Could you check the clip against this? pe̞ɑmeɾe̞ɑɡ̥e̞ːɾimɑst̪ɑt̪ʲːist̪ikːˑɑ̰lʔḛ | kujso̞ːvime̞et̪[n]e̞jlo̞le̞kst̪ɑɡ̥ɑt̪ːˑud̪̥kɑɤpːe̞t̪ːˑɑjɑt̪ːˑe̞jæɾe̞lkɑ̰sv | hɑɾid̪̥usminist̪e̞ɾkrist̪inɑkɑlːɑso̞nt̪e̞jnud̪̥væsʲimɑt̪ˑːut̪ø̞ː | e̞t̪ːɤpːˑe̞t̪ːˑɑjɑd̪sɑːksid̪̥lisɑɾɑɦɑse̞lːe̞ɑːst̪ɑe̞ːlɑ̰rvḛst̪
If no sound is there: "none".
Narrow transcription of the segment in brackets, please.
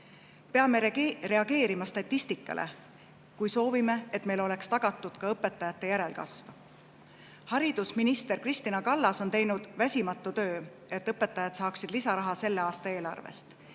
m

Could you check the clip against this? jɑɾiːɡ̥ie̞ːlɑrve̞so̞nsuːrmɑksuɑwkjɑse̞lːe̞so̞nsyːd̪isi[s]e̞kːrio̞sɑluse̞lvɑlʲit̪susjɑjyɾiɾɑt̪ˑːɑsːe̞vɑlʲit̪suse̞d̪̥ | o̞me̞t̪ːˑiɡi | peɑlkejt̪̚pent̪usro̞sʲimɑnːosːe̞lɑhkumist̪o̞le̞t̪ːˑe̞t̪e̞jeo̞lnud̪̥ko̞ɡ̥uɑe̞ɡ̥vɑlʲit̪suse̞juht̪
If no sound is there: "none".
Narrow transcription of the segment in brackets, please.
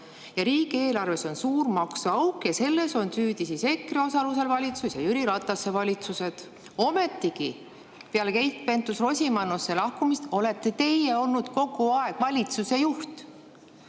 s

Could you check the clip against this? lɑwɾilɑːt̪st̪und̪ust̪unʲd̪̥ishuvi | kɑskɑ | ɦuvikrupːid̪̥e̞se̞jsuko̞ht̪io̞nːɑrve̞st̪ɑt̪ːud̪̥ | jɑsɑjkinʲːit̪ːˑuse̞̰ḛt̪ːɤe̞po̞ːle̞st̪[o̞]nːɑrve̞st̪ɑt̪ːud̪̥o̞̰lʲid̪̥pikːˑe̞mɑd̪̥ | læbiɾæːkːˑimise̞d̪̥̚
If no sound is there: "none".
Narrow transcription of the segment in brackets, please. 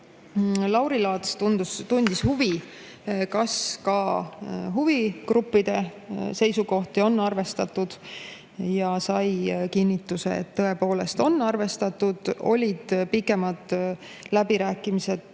o̞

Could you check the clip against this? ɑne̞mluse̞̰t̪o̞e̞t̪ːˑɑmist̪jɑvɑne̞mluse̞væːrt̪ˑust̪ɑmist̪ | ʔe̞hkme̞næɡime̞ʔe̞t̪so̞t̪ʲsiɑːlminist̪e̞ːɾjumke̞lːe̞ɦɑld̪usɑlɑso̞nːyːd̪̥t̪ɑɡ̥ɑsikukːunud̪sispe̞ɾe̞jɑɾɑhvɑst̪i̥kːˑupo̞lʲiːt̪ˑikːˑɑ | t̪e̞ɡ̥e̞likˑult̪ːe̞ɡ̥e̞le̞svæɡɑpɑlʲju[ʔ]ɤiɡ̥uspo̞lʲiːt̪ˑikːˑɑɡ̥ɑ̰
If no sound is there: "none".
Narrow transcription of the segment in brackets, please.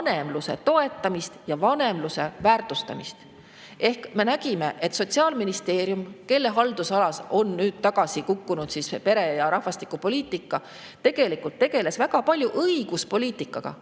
ʔ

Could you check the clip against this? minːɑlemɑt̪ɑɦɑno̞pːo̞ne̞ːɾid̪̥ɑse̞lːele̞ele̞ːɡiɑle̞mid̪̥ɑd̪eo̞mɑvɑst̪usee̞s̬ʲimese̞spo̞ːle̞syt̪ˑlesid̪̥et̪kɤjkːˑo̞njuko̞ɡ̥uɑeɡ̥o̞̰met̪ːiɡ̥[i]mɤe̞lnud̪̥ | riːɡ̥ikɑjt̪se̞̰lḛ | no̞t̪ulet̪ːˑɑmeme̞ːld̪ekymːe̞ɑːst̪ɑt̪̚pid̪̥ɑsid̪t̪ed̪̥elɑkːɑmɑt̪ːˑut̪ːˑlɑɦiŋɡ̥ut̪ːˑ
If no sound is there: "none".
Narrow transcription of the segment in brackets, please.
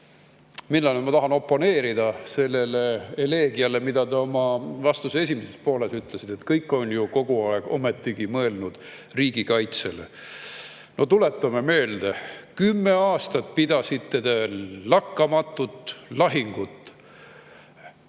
i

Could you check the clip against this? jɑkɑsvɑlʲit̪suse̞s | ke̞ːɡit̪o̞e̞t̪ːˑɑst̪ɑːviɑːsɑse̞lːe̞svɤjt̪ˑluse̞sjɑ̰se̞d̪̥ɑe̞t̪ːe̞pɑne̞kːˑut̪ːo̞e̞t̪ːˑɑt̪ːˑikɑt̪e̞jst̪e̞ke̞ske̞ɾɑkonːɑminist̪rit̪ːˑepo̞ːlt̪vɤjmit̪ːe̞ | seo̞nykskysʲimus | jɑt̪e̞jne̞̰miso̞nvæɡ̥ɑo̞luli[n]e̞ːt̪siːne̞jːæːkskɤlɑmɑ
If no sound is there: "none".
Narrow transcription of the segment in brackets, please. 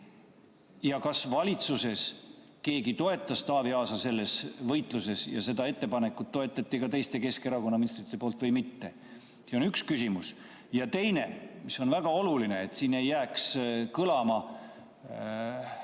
n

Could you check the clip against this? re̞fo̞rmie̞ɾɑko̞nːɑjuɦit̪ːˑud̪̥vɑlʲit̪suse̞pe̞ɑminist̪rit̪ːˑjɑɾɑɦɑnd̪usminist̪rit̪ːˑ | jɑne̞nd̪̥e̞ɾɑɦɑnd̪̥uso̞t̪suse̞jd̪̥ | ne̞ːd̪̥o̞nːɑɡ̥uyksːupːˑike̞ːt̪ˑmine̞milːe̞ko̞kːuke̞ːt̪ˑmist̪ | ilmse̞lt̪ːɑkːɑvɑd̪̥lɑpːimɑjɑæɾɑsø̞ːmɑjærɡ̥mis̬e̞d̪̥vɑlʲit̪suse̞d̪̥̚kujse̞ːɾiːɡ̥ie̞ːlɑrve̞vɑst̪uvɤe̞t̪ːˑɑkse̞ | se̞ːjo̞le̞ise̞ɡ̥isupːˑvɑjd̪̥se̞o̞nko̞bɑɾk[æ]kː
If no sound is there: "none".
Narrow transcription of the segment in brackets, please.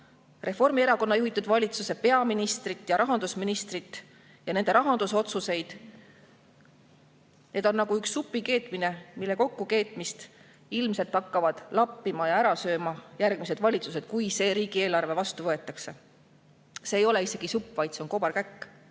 æ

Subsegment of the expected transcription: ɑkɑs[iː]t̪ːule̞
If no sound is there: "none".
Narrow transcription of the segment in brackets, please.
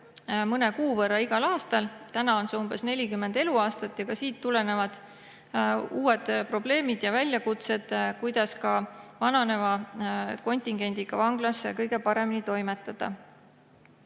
iː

